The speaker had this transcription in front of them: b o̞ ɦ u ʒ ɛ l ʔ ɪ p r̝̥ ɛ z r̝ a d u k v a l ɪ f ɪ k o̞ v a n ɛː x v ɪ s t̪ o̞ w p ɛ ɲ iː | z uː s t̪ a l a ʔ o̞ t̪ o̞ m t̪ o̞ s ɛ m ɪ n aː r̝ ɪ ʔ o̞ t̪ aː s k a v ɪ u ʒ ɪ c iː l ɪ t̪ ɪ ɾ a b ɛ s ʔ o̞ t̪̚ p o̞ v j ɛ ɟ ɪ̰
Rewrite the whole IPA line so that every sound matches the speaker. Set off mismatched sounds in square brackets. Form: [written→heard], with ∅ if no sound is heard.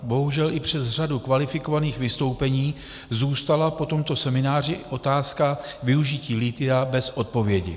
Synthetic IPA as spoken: b o̞ ɦ u ʒ ɛ l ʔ ɪ p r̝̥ ɛ z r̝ a d u k v a l ɪ f ɪ k o̞ v a n [ɛː→iː] x v ɪ s t̪ o̞ w p ɛ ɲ iː | z uː s t̪ a l a [ʔ→p] o̞ t̪ o̞ m t̪ o̞ s ɛ m ɪ n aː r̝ ɪ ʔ o̞ t̪ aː s k a v ɪ u ʒ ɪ c iː l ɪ t̪ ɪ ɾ a b ɛ s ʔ o̞ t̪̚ p o̞ v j ɛ ɟ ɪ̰

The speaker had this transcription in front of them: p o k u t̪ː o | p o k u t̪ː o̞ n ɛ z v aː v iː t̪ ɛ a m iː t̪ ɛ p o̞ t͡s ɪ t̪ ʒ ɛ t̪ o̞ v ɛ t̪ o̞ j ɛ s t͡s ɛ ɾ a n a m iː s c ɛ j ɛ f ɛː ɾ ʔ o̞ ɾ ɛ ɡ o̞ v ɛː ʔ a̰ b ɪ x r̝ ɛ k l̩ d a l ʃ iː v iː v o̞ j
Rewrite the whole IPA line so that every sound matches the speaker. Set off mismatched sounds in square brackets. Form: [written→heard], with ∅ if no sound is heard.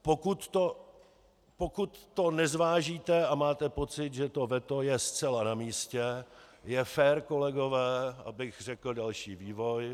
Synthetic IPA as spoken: p o k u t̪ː o | p o k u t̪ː o̞ n ɛ z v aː [v→ʒ] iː t̪ ɛ a m [iː→aː] t̪ ɛ p o̞ t͡s ɪ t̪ ʒ ɛ t̪ o̞ v ɛ t̪ o̞ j ɛ s t͡s ɛ [ɾ→l] a n a m iː s c ɛ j ɛ f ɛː ɾ [ʔ→k] o̞ [ɾ→l] ɛ ɡ o̞ v ɛː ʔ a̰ b ɪ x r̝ ɛ k l̩ d a l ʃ iː v iː v o̞ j

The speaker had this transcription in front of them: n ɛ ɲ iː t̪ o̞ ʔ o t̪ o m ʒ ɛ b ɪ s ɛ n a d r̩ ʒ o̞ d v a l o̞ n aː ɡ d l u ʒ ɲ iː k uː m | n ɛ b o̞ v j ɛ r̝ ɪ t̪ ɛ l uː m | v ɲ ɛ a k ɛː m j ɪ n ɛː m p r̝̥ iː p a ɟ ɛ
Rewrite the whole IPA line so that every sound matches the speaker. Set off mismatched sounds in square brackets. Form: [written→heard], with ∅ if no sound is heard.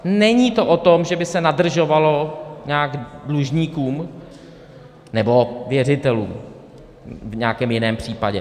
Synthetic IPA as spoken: n ɛ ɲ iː t̪ o̞ ʔ o t̪ o m ʒ ɛ b ɪ s ɛ n a d r̩ ʒ o̞ [d→∅] v a l o̞ [n→ɲ] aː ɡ d l u ʒ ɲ iː k uː m | n ɛ b o̞ v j ɛ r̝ ɪ t̪ ɛ l uː m | v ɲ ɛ a k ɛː m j ɪ n ɛː m p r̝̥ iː p a ɟ ɛ

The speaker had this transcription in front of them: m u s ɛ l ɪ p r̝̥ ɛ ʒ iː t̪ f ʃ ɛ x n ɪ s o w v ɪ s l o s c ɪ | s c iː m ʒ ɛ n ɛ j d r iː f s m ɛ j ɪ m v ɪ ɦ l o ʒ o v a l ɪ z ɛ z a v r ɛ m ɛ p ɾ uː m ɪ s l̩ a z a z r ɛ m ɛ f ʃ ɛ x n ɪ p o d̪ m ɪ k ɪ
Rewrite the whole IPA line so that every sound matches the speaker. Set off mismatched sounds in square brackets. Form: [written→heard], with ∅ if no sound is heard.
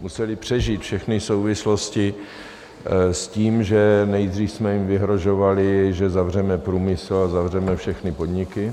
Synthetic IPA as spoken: m u s ɛ l ɪ p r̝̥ ɛ ʒ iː t̪ f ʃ ɛ x n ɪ s o w v ɪ s l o s c ɪ | s c iː m ʒ ɛ n ɛ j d r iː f s m ɛ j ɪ m v ɪ ɦ [l→ɾ] o ʒ o v a l ɪ [z→ʒ] ɛ z a v r ɛ m ɛ p ɾ uː m ɪ s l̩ a z a [z→v] r ɛ m ɛ f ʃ ɛ x n ɪ p o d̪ [m→ɲ] ɪ k ɪ

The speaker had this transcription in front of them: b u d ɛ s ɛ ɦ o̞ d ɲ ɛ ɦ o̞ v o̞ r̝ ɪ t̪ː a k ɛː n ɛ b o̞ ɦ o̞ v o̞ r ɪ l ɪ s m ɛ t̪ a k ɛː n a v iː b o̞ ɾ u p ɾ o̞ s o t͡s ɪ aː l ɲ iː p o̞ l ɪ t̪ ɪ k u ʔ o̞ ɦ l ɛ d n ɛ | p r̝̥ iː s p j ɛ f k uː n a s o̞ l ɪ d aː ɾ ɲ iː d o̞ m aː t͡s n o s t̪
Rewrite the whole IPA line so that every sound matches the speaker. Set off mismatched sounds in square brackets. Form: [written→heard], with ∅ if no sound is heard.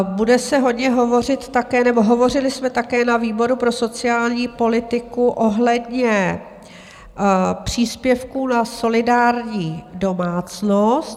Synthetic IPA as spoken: b u d ɛ s ɛ ɦ o̞ d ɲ ɛ ɦ o̞ v o̞ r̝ ɪ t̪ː a k ɛː n ɛ b o̞ ɦ o̞ v o̞ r ɪ l ɪ s m ɛ t̪ a k ɛː n a v iː b o̞ ɾ u p ɾ o̞ s o t͡s ɪ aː l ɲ iː p o̞ l ɪ t̪ ɪ k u ʔ o̞ ɦ l ɛ d [n→ɲ] ɛ | p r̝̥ iː s p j ɛ f k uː n a s o̞ l ɪ d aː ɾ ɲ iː d o̞ m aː t͡s n o s t̪

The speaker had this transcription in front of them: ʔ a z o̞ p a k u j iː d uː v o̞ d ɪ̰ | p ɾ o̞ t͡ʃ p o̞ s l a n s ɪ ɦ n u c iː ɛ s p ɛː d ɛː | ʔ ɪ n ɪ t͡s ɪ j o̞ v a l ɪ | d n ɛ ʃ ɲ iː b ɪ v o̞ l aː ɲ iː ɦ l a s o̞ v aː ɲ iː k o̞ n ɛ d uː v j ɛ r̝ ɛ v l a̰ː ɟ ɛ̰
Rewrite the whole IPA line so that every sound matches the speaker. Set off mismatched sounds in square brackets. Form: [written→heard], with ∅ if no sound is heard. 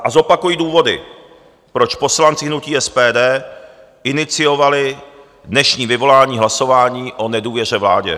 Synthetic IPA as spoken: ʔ a z o̞ p a k u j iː d uː v o̞ d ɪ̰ | p ɾ o̞ t͡ʃ p o̞ s l a n [s→t͡s] ɪ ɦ n u c iː ɛ s p ɛː d ɛː | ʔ ɪ n ɪ t͡s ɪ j o̞ v a l ɪ | d n ɛ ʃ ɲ iː [b→v] ɪ v o̞ l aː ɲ iː ɦ l a s o̞ v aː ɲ iː [k→ʔ] o̞ n ɛ d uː v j ɛ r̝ ɛ v l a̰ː ɟ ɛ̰

